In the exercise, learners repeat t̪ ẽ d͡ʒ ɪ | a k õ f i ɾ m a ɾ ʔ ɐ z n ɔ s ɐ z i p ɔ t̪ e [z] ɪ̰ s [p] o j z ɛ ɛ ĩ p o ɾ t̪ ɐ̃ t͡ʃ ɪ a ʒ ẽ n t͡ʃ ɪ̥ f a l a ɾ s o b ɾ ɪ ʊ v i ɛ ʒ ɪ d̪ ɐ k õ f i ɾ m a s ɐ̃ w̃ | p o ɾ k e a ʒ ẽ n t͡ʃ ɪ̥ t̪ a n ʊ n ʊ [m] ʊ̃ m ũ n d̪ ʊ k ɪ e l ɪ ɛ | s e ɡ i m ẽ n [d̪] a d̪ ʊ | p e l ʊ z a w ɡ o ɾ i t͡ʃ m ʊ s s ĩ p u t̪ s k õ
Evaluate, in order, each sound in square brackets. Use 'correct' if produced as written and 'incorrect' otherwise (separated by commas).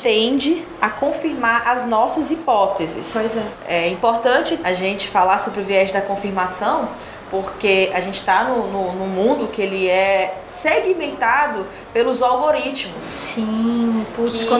correct, correct, incorrect, incorrect